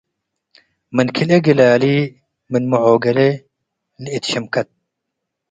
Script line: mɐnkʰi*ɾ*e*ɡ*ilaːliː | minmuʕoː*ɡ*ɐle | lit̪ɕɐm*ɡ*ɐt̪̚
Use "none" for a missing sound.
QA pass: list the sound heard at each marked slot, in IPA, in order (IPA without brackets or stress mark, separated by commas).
l, ɡ, ɡ, k